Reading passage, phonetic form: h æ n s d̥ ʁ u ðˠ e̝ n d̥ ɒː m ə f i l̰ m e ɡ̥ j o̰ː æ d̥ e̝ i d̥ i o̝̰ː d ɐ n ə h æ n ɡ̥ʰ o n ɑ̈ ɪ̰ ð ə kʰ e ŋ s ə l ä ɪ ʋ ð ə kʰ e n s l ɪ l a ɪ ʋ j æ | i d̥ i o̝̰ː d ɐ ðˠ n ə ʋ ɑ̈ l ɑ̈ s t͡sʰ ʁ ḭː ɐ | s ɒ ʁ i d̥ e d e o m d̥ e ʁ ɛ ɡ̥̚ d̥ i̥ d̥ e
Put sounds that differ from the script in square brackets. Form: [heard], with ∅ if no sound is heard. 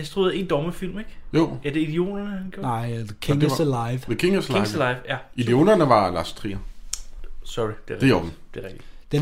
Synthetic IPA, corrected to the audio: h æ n s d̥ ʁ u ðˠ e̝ n d̥ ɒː m ə f i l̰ m e ɡ̥ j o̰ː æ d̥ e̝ i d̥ i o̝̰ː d ɐ n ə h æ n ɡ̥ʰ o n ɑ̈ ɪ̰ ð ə kʰ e ŋ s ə l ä ɪ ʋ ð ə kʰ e [ŋ] s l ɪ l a ɪ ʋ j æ | i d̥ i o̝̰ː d ɐ [∅] n ə ʋ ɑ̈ l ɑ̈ s t͡sʰ ʁ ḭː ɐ | s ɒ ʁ i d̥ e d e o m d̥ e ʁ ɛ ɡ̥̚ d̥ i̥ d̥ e